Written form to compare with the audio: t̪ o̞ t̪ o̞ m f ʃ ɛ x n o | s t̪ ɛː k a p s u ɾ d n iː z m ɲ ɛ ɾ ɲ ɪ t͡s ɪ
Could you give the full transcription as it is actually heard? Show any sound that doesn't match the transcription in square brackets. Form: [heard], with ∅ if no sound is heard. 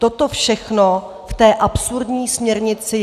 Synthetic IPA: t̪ o̞ t̪ o̞ [∅] f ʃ ɛ x n o | [f] t̪ ɛː [ʔ] a p s u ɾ d [ɲ] iː [s] m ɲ ɛ ɾ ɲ ɪ t͡s ɪ